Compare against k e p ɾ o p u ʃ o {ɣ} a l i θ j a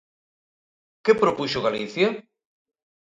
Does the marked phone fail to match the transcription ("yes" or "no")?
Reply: no